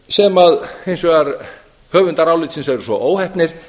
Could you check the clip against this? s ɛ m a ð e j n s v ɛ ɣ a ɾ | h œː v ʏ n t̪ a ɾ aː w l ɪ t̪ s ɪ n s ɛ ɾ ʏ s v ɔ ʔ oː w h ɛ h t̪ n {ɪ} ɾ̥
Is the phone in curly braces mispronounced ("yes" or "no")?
no